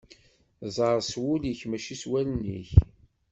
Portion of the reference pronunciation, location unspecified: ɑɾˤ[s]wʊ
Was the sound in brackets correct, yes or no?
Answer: yes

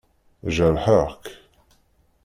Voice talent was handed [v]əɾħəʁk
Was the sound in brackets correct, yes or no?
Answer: no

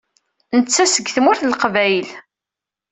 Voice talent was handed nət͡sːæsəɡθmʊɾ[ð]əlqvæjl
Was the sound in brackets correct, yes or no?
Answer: no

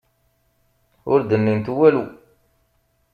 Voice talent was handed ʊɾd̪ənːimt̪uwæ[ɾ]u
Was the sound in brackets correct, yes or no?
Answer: no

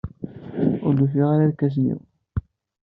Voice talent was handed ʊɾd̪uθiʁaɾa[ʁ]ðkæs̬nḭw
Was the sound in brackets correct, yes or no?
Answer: no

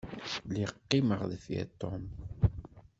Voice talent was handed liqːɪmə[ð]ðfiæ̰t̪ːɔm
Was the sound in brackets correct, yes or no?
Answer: no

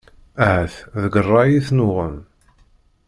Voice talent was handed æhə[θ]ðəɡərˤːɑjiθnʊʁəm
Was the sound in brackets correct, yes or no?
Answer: yes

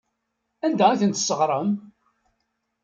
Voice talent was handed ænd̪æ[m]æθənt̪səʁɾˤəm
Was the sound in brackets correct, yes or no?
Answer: no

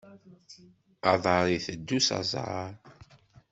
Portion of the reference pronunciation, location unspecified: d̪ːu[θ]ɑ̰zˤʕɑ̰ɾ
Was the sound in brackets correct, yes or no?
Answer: no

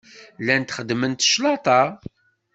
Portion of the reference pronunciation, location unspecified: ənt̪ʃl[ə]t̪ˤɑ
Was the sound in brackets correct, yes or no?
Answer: no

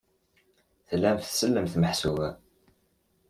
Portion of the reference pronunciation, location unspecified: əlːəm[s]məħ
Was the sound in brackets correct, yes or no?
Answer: no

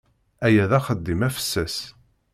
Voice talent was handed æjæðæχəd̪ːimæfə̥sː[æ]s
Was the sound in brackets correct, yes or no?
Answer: yes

